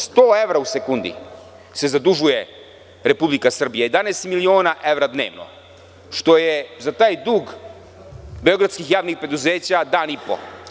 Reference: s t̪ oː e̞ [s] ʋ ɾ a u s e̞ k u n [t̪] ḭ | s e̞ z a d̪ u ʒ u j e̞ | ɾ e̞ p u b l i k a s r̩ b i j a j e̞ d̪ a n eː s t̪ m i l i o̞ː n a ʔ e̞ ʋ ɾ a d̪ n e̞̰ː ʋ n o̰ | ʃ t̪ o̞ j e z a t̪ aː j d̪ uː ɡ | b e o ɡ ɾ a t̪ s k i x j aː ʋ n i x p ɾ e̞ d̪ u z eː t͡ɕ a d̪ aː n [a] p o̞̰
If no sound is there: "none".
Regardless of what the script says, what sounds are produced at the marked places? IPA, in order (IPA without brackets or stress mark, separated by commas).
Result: none, d̪, i